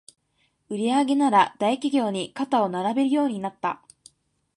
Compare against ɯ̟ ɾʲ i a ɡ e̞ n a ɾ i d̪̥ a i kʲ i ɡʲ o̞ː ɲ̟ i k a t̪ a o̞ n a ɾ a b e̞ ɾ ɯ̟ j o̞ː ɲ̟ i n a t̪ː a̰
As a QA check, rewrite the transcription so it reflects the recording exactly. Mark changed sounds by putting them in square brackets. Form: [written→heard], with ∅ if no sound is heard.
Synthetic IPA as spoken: ɯ̟ ɾʲ i a ɡ e̞ n a ɾ [i→a] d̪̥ a i kʲ i ɡʲ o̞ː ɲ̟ i k a t̪ a o̞ n a ɾ a b e̞ ɾ ɯ̟ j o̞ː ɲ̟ i n a t̪ː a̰

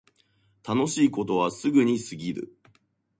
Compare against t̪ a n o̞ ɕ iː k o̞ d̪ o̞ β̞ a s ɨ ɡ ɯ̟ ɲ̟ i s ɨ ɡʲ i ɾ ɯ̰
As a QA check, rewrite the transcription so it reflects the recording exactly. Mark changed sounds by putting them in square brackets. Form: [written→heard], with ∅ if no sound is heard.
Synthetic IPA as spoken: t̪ a n o̞ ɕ iː k o̞ [d̪→t̪] o̞ β̞ a s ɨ ɡ ɯ̟ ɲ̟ i s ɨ ɡʲ i ɾ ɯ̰

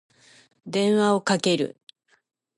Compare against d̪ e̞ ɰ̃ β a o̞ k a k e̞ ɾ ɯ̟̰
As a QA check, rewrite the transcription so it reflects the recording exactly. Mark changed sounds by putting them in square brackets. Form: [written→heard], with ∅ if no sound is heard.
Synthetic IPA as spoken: d̪ [e̞→ẽ̞] ɰ̃ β a o̞ k a k e̞ ɾ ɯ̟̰

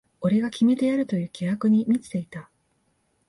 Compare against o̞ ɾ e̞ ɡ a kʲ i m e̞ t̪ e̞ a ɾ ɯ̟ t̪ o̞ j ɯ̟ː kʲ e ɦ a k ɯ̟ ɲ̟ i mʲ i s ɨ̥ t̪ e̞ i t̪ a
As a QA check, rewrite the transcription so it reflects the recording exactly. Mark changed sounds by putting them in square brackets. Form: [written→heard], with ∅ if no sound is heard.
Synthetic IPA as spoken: o̞ ɾ e̞ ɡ a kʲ i m e̞ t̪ e̞ a ɾ ɯ̟ t̪ o̞ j ɯ̟ː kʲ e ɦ a k ɯ̟ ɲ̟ i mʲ i [s→t͡s] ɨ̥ t̪ e̞ i t̪ a

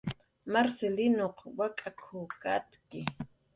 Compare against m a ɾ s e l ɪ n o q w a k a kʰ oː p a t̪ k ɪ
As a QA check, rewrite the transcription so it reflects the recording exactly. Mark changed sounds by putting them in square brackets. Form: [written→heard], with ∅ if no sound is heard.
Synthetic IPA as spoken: m a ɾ s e l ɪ n o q w a [k→kʼ] a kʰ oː [p→k] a t̪ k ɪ

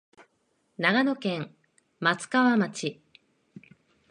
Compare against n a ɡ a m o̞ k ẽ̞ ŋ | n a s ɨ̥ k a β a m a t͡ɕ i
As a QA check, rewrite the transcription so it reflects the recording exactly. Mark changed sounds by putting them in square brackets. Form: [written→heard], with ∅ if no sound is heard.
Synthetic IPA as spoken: n a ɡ a [m→n] o̞ k ẽ̞ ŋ | [n→m] a [s→t͡s] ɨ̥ k a β a m a t͡ɕ i

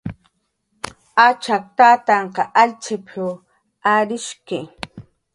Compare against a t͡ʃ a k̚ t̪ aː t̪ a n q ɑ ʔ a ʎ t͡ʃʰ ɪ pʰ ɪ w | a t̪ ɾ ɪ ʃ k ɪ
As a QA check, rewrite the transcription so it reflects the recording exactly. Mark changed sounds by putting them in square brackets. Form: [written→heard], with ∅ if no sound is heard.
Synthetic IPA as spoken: a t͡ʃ a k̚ t̪ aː t̪ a [n→ɴ] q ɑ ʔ a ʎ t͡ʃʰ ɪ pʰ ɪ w | a [t̪→∅] ɾ ɪ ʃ k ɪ

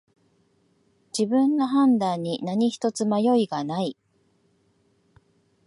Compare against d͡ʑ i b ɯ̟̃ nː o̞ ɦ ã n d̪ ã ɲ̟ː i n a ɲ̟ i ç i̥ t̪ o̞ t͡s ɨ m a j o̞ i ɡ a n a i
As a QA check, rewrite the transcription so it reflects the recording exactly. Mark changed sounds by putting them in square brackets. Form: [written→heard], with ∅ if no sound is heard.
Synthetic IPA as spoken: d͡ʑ i b ɯ̟̃ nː o̞ ɦ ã n d̪ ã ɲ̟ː i n a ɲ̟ i ç i̥ t̪ o̞ t͡s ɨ m a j o̞ i ɡ a n a i

